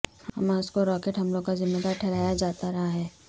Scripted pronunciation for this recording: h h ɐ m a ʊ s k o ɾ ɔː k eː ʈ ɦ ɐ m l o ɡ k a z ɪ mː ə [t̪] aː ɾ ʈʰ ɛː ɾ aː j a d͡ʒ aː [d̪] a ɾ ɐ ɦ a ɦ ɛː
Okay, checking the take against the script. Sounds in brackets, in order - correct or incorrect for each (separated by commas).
incorrect, incorrect